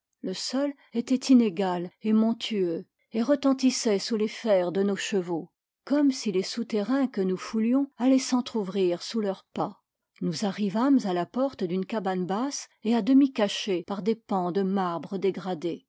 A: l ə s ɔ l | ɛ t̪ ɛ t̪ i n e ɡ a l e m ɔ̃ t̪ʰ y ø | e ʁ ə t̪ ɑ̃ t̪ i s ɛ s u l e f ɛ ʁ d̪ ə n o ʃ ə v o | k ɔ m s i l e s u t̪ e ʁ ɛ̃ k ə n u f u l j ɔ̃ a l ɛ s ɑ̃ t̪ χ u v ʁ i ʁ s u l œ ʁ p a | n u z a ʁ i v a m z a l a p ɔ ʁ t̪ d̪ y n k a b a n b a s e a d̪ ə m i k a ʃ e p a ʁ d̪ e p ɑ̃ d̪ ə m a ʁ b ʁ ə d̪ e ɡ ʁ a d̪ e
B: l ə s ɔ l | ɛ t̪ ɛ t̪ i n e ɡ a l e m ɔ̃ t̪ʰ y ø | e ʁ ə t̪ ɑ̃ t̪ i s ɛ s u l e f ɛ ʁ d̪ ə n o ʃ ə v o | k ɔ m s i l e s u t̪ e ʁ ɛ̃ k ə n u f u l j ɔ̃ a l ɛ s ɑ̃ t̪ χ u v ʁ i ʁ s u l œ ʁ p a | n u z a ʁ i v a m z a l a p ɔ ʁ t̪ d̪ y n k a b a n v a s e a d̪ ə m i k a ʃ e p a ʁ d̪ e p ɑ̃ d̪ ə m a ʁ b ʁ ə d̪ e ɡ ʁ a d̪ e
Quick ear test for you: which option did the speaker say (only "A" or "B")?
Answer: A